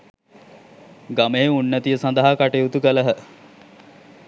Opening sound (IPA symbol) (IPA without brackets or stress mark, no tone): ɡ